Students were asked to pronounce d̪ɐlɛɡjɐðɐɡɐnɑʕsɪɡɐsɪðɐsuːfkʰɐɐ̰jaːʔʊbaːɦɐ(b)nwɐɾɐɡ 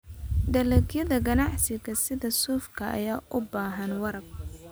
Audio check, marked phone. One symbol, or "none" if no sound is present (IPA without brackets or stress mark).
none